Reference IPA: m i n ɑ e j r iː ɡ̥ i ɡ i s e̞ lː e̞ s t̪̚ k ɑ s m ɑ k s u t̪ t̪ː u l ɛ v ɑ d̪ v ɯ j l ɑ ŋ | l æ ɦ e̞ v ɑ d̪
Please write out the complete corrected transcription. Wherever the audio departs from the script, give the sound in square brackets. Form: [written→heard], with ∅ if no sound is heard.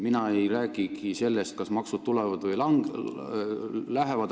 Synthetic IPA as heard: m i n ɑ e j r [iː→æː] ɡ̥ i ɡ i s e̞ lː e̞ s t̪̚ k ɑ s m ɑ k s u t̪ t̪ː u l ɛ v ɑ d̪ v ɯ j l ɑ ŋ | l æ ɦ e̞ v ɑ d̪